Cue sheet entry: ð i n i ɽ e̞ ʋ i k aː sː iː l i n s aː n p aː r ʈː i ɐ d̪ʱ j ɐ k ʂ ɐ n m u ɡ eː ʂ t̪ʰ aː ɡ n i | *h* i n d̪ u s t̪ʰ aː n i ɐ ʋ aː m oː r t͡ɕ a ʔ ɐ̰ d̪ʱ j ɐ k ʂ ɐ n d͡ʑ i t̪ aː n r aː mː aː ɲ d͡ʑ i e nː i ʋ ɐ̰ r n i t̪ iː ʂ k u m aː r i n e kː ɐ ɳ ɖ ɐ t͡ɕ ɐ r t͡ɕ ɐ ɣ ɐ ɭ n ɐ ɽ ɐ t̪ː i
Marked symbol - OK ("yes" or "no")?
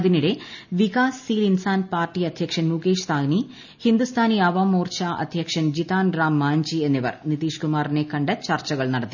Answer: yes